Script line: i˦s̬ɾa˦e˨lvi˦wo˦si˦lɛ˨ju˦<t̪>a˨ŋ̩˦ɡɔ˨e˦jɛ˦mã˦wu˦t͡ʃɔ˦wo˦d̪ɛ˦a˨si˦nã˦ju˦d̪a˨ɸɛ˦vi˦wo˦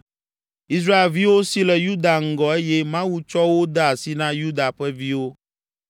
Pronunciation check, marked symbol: incorrect: d̪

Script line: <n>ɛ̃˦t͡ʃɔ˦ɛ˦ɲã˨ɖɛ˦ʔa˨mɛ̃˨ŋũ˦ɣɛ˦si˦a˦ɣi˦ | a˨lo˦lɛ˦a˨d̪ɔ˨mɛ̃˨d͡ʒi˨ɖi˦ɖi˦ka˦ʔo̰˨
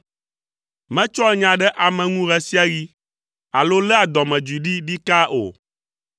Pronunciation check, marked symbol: incorrect: m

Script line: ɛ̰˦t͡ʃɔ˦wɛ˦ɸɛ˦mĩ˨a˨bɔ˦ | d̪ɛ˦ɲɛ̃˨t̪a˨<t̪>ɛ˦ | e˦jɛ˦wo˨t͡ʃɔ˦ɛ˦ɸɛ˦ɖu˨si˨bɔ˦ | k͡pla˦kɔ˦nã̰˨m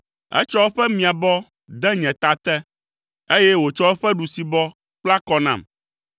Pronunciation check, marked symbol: correct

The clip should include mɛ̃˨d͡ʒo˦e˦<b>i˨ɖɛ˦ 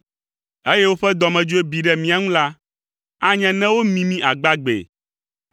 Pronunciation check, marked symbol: correct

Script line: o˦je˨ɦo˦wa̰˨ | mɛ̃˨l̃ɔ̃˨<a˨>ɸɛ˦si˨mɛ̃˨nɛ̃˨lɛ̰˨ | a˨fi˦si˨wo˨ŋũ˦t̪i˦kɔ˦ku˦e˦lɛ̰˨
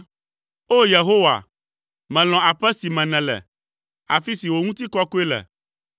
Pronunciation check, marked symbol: correct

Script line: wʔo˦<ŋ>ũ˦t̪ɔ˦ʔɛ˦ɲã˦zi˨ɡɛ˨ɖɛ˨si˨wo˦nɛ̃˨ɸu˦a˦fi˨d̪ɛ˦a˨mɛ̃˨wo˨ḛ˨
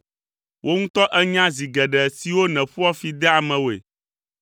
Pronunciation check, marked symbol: correct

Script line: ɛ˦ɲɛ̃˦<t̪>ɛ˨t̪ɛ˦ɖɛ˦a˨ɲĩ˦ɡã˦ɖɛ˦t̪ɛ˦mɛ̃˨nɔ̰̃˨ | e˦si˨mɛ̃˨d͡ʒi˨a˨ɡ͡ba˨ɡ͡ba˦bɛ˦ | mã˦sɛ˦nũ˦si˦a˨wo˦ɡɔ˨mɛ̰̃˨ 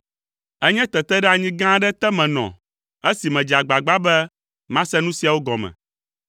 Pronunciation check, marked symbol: correct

